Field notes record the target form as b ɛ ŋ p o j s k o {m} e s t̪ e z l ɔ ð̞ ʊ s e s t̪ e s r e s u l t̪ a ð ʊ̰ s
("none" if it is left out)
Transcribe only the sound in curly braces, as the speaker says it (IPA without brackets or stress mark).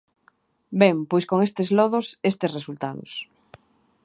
ŋ